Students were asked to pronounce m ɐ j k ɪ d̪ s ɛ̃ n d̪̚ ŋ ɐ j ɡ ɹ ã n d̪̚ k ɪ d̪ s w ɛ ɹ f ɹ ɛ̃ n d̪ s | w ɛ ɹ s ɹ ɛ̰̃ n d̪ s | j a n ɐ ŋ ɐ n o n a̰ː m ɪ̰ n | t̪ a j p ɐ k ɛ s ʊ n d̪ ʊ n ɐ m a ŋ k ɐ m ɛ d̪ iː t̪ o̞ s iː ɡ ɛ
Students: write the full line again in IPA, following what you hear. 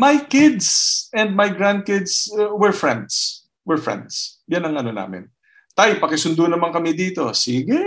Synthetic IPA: m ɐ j k ɪ d̪ s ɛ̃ n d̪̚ m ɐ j ɡ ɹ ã n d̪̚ k ɪ d̪ s w ɛ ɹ f ɹ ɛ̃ n d̪ s | w ɛ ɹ f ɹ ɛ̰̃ n d̪ s | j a n ɐ ŋ ɐ n o n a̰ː m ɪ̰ n | t̪ a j p ɐ k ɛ s ʊ n d̪ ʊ n ɐ m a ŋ k ɐ m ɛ d̪ iː t̪ o̞ s iː ɡ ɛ